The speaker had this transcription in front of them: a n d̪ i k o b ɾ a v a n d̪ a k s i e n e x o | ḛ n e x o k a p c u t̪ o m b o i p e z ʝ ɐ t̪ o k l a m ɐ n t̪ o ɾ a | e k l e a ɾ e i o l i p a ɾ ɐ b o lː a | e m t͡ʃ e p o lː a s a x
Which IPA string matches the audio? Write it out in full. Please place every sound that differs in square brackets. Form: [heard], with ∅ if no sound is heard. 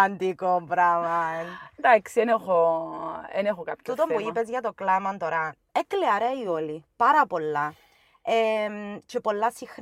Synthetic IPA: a n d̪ i k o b ɾ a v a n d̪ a k s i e n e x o | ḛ n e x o k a p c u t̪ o m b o i p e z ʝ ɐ t̪ o k l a m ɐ n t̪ o ɾ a | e k l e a ɾ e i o l i p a ɾ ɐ [p] o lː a | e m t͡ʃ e p o lː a s [i] x